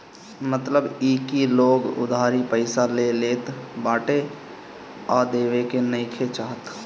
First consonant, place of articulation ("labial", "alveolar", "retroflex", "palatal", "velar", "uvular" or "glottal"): labial